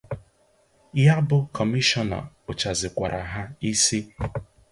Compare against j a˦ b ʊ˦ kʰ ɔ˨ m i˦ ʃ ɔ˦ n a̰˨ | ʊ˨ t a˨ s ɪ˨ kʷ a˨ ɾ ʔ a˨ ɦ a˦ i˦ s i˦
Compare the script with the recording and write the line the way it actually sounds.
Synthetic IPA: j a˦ b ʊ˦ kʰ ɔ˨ m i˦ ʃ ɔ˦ n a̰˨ | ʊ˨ t͡ʃ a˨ z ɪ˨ kʷ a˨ ɾ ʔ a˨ ɦ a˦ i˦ s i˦